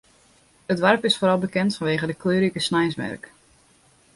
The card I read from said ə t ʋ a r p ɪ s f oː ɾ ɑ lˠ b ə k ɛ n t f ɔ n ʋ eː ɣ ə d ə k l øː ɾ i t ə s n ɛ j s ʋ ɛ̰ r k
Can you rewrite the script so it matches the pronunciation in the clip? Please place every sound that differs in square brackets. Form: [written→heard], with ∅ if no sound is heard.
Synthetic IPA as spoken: ə t ʋ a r p ɪ s f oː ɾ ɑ lˠ b ə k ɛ n t f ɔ n ʋ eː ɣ ə d ə k l øː ɾ i [t→k] ə s n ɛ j s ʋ ɛ̰ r k